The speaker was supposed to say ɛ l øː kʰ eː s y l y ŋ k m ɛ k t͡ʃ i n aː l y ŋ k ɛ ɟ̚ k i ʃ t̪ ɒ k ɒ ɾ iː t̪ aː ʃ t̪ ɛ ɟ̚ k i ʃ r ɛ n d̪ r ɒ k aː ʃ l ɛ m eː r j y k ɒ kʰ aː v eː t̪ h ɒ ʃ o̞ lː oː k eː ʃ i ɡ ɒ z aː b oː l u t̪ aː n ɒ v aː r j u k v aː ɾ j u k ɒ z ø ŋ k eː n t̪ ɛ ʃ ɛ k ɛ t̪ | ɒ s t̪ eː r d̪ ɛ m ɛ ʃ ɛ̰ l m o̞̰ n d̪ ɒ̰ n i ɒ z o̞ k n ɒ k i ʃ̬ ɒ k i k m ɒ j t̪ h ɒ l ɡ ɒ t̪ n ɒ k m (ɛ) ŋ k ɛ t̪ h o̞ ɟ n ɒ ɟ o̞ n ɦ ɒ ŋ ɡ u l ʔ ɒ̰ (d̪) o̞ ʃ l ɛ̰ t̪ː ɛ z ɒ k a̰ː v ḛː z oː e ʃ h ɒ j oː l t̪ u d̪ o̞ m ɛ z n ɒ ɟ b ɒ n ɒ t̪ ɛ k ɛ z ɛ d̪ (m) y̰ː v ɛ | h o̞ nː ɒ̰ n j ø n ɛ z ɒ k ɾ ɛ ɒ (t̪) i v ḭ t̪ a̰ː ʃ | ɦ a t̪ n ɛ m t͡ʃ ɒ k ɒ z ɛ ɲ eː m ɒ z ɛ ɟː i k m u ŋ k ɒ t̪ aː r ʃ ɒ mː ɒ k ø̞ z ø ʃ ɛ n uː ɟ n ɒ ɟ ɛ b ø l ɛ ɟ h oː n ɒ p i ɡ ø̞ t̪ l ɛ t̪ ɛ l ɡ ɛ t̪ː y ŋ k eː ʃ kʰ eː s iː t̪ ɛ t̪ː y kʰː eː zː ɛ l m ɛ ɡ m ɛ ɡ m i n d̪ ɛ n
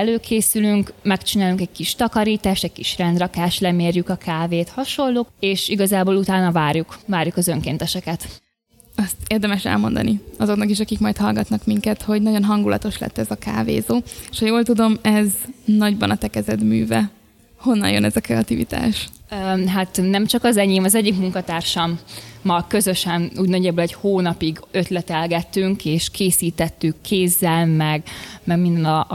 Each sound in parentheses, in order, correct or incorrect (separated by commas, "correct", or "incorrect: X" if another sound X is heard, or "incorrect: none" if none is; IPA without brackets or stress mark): incorrect: i, incorrect: t̪, correct, correct